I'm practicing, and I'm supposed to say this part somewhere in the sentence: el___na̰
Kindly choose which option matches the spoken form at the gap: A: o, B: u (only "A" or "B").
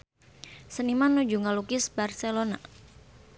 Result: A